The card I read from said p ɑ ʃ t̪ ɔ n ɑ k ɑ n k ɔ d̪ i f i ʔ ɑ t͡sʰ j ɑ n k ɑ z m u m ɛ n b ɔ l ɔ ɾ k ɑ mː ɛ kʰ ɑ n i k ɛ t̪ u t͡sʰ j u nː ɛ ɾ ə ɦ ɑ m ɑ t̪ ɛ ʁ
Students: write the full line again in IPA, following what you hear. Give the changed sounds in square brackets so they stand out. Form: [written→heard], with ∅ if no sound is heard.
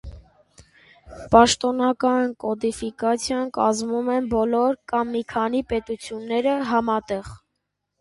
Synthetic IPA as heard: p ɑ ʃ t̪ ɔ n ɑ k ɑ n k ɔ d̪ i f i [ʔ→k] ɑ t͡sʰ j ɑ n k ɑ z m u m ɛ n b ɔ l ɔ ɾ k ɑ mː [ɛ→i] kʰ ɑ n i [k→p] ɛ t̪ u t͡sʰ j u nː ɛ ɾ ə ɦ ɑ m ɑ t̪ ɛ ʁ